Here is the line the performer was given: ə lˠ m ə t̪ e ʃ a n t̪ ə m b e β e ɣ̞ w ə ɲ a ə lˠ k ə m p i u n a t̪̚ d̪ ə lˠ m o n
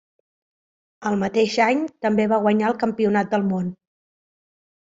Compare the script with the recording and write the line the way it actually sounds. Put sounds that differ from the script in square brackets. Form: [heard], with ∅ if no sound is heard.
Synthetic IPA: ə lˠ m ə t̪ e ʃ a [ɲ] t̪ ə m b e β [a] ɣ̞ w ə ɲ a ə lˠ k ə m p i u n a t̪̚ d̪ ə lˠ m o n